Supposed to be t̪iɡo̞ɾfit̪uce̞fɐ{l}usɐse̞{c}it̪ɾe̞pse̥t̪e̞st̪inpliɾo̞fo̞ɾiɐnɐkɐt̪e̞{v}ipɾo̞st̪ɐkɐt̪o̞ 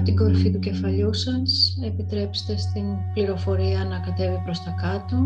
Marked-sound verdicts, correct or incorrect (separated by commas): incorrect, incorrect, correct